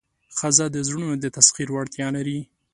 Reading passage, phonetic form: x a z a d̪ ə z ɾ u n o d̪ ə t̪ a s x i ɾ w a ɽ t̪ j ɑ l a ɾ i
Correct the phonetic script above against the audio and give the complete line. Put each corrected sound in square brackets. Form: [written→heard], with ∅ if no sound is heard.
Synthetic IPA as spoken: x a z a d̪ ə z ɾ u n o d̪ ə t̪ a s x i ɾ w a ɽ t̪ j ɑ l a ɾ i